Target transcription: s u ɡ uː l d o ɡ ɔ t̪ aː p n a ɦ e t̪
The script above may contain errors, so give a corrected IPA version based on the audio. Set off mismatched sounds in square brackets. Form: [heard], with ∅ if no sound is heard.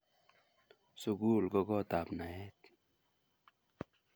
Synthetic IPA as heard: s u ɡ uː l [ɡ] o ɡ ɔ t̪ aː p n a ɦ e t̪